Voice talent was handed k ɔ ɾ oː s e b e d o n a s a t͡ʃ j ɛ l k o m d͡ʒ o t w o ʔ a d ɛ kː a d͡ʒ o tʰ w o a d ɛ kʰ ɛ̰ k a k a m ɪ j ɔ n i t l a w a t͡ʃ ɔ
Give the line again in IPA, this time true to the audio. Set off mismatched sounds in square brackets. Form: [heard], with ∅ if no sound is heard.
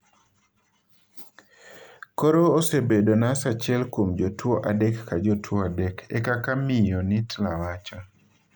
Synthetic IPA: k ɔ ɾ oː s e b e d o n a s a t͡ʃ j ɛ l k o m d͡ʒ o t w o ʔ a d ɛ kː a d͡ʒ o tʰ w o a d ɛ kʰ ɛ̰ k a k a m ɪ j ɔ n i t l a w a t͡ʃ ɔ